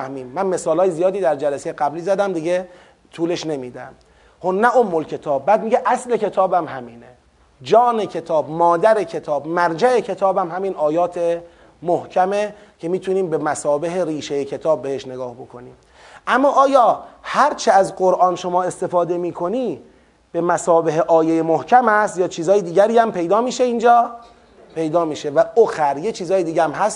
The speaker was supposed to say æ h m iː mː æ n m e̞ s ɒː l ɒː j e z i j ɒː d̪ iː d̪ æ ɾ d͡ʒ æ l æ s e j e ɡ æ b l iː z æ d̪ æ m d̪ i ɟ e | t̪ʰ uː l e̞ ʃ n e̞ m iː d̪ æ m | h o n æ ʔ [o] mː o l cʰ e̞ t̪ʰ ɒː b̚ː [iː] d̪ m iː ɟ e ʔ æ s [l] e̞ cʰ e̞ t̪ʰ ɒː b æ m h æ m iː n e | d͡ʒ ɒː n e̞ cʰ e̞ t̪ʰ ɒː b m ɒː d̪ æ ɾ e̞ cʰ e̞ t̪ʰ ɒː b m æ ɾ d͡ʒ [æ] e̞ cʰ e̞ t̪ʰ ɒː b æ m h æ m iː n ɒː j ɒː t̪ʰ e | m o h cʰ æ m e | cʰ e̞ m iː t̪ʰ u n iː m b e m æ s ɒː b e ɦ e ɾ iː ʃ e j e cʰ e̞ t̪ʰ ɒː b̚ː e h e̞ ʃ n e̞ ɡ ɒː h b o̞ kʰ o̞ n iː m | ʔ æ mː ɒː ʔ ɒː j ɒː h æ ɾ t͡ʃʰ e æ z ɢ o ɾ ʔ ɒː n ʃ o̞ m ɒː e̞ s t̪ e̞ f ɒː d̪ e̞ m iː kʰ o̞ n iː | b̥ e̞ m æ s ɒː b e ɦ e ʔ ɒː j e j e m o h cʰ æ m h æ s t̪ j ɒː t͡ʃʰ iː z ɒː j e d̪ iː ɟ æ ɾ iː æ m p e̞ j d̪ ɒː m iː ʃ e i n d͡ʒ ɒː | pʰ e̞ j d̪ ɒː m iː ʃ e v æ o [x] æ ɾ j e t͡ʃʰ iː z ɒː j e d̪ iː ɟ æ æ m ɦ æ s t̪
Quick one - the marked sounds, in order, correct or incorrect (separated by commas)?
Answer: correct, incorrect, correct, correct, correct